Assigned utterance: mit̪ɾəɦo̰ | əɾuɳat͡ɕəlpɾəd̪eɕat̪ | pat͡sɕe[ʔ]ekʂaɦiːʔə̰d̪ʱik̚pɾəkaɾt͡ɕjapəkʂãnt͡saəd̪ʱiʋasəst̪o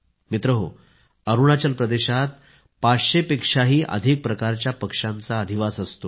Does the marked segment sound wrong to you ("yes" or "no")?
yes